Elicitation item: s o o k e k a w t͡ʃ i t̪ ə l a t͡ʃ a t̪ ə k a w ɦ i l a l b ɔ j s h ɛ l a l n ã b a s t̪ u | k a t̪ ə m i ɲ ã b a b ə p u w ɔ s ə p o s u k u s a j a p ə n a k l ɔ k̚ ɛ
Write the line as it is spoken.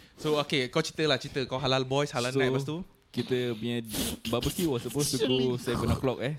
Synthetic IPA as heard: s o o k e k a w t͡ʃ i t̪ ə l a t͡ʃ i t̪ ə k a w ɦ a l a l b ɔ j s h a l a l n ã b a s t̪ u | k i t̪ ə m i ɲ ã b a b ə k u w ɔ s ə p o s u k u s a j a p ə n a k l ɔ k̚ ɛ